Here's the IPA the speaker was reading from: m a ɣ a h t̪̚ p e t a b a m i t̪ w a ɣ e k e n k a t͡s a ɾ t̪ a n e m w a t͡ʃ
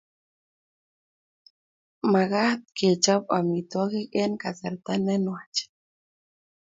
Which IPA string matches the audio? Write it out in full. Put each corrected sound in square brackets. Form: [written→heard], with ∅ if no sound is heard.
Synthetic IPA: m a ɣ a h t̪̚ [p→k] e [t→t͡ʃ] a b a m i t̪ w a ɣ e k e n k a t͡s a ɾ t̪ a n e [m→n] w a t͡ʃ

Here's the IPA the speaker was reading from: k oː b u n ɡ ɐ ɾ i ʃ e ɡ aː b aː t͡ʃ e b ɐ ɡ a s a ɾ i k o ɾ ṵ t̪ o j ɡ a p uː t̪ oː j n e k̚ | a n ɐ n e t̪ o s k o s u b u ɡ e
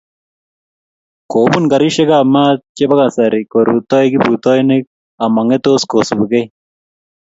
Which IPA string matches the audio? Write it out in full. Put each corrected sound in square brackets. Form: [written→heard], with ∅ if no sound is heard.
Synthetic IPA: k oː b u n ɡ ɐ ɾ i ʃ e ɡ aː [b→m] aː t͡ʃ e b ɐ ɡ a s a ɾ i k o ɾ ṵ t̪ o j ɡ [a→i] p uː t̪ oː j n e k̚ | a [n→m] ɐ [n→ŋ] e t̪ o s k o s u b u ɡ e

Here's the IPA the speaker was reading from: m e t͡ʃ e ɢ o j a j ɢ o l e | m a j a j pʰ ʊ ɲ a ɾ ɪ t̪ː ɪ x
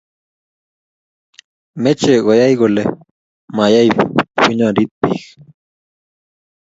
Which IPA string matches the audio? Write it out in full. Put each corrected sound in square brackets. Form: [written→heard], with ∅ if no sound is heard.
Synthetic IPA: m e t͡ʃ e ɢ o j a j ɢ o l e | m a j a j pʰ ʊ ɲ a ɾ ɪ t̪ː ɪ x

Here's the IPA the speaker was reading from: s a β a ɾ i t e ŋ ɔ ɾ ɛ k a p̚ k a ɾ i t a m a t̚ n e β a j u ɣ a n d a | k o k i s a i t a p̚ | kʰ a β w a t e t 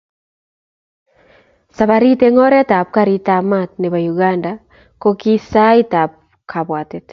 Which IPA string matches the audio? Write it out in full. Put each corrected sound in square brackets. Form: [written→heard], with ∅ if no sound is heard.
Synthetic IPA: s a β a ɾ i t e ŋ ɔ ɾ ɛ [k→t] a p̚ k a ɾ i t a m a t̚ n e β a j u ɣ a n d a | k o k i s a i t a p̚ | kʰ a β w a t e t

